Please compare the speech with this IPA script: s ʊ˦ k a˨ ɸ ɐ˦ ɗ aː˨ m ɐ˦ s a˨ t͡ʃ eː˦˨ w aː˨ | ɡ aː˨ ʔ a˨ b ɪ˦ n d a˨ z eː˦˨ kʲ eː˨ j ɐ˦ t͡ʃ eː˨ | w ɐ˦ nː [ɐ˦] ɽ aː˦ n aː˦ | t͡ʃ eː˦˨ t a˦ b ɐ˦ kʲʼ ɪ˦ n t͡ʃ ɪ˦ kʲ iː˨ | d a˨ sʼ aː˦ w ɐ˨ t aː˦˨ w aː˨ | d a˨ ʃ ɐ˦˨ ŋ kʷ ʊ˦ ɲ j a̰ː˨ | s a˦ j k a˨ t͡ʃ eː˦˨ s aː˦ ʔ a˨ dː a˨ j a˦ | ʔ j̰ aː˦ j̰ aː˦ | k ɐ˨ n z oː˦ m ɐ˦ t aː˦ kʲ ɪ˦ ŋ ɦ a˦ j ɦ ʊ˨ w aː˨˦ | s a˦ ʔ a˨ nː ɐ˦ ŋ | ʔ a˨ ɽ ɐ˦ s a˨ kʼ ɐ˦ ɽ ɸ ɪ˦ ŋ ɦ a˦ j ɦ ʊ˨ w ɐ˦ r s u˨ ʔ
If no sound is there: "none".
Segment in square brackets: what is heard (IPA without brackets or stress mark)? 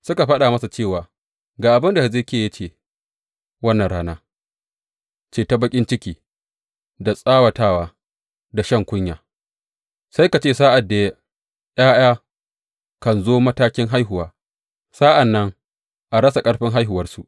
ɐ˨